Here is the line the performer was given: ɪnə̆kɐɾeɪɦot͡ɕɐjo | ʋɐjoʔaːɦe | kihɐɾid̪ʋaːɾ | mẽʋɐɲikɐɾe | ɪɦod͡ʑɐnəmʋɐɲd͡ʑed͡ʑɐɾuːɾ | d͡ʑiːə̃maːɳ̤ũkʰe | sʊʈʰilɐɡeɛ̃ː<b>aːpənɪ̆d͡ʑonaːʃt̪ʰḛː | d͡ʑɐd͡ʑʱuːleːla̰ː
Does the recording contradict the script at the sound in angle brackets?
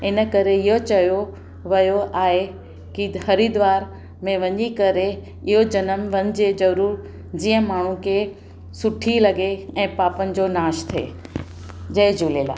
yes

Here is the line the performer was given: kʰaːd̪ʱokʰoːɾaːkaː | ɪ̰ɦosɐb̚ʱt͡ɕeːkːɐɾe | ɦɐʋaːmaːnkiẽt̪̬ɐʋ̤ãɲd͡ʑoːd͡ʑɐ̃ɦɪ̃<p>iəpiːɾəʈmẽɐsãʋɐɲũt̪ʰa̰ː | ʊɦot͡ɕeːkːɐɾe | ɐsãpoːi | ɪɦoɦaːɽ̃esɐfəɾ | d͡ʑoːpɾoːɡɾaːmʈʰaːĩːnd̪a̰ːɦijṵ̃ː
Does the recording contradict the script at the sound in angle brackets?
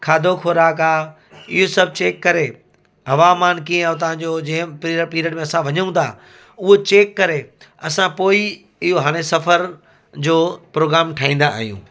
no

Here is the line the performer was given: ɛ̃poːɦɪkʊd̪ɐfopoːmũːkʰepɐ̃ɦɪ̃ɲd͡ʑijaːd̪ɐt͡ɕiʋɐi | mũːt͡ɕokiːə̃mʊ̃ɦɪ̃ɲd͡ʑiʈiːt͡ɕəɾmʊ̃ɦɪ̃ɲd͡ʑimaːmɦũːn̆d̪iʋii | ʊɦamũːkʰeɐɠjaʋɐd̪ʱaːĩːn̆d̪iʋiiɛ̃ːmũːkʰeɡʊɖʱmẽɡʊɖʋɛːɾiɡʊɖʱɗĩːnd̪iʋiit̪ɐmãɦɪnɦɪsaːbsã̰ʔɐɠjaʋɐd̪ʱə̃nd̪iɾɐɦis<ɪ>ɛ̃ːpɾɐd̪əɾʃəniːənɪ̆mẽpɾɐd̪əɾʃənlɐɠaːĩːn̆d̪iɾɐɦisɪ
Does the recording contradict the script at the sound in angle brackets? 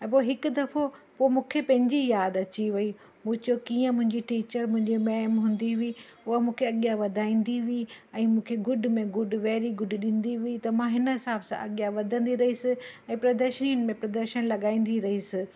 no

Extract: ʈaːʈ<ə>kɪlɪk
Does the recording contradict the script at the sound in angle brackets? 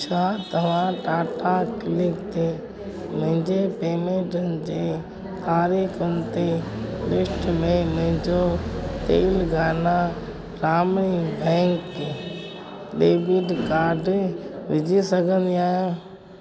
yes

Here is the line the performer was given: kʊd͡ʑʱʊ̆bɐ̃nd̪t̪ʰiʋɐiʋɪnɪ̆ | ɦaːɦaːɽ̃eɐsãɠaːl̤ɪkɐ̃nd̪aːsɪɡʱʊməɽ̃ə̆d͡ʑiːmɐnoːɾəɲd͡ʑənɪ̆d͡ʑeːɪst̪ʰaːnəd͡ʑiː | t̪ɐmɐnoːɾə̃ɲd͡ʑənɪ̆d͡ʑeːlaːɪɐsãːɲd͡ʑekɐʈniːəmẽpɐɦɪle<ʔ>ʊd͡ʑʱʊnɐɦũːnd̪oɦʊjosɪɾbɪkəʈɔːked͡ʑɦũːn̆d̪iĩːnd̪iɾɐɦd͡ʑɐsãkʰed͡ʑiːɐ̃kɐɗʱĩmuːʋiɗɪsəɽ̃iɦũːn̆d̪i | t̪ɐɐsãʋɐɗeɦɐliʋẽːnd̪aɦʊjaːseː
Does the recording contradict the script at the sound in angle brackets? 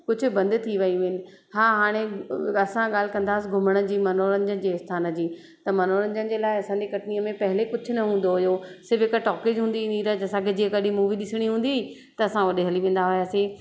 yes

